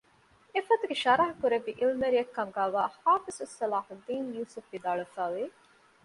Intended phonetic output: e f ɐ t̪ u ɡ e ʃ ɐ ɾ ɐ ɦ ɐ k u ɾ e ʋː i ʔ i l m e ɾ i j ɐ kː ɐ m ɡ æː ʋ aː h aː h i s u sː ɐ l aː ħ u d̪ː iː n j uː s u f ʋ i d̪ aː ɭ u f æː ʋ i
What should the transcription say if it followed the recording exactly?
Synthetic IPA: e f ɐ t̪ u ɡ e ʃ ɐ ɾ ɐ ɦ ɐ k u ɾ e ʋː i ʔ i l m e ɾ i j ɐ kː ɐ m ɡ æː ʋ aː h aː f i s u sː ɐ l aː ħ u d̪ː iː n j uː s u f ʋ i d̪ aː ɭ u f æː ʋ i